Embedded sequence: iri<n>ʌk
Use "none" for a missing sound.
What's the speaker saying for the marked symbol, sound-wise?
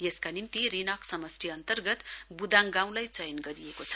n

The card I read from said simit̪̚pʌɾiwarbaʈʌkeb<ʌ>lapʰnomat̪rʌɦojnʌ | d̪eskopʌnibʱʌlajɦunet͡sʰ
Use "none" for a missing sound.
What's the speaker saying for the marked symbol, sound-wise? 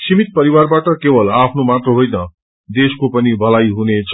ʌ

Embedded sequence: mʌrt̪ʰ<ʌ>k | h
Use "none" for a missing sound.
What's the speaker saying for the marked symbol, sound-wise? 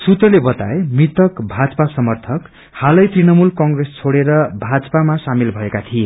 ʌ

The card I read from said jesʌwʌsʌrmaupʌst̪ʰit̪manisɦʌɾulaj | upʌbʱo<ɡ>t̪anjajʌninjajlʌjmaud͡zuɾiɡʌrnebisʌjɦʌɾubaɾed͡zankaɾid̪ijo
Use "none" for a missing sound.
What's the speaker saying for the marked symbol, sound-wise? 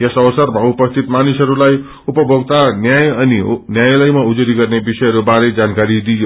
ɡ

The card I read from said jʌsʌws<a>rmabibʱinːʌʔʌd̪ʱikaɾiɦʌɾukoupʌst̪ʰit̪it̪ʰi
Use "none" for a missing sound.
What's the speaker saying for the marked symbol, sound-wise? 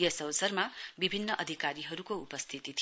ʌ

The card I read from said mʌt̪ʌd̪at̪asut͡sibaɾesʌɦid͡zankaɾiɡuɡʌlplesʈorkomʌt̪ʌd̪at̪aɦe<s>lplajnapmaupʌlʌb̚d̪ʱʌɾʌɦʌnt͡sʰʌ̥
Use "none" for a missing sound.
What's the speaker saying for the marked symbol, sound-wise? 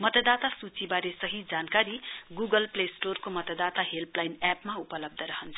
none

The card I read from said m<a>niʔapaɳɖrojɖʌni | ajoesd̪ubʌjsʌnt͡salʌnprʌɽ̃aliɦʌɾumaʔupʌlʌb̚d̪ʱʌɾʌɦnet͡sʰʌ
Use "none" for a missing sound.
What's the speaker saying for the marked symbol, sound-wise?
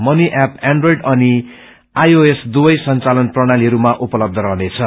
ʌ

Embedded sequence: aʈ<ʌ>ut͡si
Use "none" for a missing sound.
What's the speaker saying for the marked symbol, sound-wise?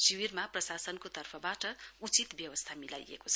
ʌ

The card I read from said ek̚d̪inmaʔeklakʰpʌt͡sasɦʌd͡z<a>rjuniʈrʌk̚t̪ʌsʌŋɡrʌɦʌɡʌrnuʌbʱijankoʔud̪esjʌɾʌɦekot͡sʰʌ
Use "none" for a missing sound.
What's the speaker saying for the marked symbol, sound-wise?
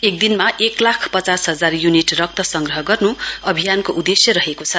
a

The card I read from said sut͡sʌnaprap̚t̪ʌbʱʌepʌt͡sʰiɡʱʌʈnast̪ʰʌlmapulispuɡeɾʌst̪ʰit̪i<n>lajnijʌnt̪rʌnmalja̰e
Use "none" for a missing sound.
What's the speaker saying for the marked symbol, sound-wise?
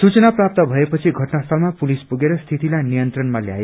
none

